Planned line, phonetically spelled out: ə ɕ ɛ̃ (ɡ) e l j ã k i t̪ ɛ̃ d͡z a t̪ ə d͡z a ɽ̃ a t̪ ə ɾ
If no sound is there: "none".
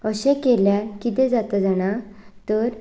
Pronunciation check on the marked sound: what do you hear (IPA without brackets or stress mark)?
k